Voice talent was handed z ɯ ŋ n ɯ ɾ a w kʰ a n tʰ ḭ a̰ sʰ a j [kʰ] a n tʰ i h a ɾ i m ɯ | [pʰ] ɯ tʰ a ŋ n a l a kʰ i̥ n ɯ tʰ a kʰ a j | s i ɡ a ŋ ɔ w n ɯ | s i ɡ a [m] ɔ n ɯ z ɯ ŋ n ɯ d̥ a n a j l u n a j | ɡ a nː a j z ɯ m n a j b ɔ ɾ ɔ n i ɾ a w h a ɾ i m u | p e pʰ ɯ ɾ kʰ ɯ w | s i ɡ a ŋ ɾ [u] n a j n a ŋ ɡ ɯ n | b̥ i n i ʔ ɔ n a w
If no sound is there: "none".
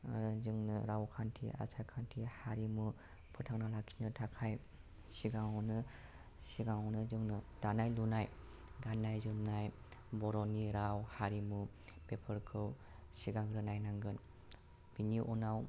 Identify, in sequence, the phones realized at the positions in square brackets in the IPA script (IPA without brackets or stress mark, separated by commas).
kʰ, pʰ, ŋ, ɯ